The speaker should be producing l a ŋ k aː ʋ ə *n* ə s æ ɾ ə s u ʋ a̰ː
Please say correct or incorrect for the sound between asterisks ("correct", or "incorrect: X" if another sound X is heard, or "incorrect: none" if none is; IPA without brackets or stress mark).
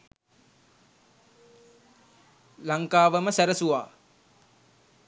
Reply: incorrect: m